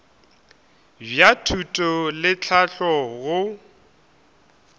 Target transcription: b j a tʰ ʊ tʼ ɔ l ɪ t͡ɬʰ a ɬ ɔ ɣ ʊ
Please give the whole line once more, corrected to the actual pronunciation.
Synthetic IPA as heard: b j a tʰ u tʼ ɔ l ɪ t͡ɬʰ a ɬ ɔ ɣ ʊ